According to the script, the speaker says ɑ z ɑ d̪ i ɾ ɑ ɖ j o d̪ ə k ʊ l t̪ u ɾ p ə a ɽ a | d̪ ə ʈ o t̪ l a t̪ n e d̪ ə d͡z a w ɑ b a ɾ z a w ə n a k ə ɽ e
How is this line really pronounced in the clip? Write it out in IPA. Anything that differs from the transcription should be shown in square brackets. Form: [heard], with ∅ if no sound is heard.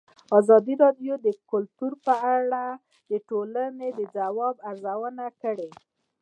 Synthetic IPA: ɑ z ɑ d̪ i ɾ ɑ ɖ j o d̪ ə k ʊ l t̪ u ɾ p ə a ɽ a | d̪ ə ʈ o [∅] l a [∅] n e d̪ ə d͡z a w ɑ b a ɾ z a w ə n a k ə ɽ e